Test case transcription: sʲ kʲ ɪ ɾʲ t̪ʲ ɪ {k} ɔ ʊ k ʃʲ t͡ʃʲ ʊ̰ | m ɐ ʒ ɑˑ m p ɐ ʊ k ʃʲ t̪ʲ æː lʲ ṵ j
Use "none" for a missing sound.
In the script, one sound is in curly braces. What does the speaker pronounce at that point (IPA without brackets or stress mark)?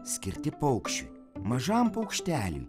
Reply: p